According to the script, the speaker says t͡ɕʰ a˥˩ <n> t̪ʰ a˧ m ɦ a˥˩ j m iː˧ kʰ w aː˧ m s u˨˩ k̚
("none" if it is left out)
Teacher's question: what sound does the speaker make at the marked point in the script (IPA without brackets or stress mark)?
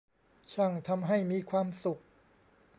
ŋ